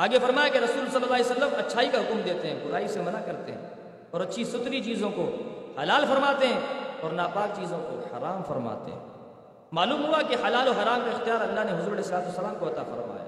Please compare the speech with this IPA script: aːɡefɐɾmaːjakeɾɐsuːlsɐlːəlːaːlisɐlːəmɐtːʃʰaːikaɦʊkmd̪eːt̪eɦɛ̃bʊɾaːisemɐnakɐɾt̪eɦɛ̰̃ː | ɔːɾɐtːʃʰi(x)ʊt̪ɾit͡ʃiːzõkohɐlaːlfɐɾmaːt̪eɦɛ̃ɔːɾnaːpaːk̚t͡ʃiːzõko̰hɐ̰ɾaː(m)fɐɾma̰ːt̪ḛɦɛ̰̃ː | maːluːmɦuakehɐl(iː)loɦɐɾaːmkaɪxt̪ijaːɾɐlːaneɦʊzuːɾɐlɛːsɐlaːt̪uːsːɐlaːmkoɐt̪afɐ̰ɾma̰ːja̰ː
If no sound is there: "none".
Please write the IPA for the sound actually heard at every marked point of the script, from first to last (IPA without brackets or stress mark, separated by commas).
s, m, aː